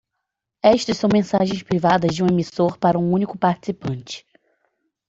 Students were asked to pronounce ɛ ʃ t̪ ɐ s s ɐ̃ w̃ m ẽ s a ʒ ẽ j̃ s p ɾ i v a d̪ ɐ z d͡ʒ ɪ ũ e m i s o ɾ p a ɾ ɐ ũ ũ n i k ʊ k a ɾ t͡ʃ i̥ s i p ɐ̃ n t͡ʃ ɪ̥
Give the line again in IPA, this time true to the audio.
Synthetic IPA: ɛ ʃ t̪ ɐ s s ɐ̃ w̃ m ẽ s a ʒ ẽ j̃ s p ɾ i v a d̪ ɐ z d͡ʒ ɪ ũ e m i s o ɾ p a ɾ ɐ ũ ũ n i k ʊ p a ɾ t͡ʃ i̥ s i p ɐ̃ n t͡ʃ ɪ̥